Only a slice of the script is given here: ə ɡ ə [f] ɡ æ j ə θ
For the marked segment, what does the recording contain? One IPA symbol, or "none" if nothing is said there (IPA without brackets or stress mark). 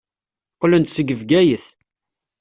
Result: v